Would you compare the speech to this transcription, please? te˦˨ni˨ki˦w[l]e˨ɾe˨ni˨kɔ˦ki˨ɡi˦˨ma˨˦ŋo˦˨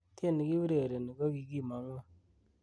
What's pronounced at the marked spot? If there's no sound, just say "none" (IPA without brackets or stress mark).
ɾ